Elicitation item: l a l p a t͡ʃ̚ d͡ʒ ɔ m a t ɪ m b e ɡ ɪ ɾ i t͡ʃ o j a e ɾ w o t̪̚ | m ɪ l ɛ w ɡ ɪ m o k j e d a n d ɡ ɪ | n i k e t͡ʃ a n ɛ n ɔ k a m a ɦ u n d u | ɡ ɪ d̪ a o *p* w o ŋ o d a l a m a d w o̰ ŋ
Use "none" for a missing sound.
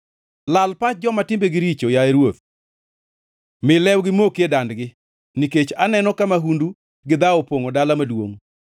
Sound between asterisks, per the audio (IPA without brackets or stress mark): p